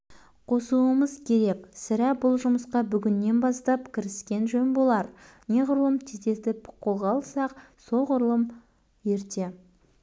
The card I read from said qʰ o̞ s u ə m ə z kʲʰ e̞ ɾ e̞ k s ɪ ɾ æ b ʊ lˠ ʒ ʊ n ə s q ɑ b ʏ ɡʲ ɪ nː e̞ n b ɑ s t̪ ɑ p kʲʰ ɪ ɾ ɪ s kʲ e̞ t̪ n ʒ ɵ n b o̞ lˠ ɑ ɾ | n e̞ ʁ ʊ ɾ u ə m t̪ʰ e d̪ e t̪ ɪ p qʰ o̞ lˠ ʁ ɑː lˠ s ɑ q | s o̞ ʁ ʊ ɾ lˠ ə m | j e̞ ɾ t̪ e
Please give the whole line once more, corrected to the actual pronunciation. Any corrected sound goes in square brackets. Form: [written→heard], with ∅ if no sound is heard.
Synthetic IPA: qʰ o̞ s u ə m ə z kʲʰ e̞ ɾ e̞ k s ɪ ɾ æ b ʊ lˠ ʒ ʊ [n→m] ə s q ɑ b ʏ ɡʲ ɪ nː e̞ n b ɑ s t̪ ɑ p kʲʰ ɪ ɾ ɪ s kʲ e̞ [t̪→∅] n ʒ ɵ n b o̞ lˠ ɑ ɾ | n e̞ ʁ ʊ ɾ u ə m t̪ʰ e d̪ e t̪ ɪ p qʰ o̞ lˠ ʁ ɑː lˠ s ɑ q | s o̞ ʁ ʊ ɾ lˠ ə m | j e̞ ɾ t̪ e